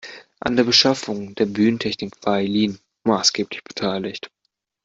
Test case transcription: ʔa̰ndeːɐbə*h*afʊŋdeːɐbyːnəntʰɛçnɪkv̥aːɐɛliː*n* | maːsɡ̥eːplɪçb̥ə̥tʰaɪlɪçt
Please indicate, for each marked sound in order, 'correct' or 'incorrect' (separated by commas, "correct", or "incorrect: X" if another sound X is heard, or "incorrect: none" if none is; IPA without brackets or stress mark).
incorrect: ʃ, correct